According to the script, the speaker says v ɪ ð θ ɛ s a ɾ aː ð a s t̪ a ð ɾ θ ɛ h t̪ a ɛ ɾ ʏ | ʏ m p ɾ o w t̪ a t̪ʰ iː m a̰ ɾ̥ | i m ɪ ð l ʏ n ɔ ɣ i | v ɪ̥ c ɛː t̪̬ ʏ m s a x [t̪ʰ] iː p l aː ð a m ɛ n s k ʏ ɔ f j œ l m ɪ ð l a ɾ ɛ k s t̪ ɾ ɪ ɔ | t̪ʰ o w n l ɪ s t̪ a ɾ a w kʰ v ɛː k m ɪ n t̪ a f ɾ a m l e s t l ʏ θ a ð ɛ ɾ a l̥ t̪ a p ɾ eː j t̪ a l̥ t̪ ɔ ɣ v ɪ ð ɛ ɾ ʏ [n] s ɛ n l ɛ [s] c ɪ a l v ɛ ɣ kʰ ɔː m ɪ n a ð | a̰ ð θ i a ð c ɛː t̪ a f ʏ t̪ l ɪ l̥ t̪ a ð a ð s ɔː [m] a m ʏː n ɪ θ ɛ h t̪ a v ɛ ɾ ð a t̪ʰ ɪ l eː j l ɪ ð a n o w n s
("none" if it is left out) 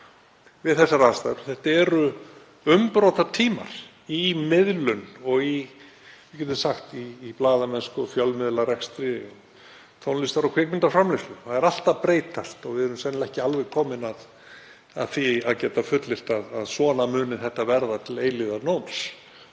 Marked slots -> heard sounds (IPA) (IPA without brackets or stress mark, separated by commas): t̪, m, h, n